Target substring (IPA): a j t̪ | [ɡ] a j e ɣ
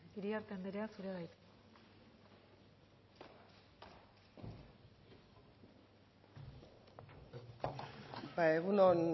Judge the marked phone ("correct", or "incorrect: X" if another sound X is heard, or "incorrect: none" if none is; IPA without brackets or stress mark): incorrect: b